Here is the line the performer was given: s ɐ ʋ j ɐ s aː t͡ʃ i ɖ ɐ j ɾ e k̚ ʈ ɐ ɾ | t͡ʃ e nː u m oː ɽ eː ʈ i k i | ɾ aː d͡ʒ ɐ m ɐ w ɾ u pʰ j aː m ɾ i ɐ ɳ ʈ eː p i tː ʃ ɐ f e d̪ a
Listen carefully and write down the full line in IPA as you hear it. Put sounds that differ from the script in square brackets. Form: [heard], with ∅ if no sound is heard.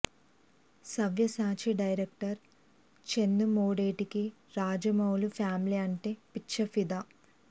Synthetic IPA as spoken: s ɐ ʋ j ɐ s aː t͡ʃ i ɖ ɐ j ɾ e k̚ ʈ ɐ ɾ | t͡ʃ e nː u m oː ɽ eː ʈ i k i | ɾ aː d͡ʒ ɐ m ɐ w [l] u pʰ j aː m [l] i ɐ ɳ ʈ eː p i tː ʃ ɐ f [i] d̪ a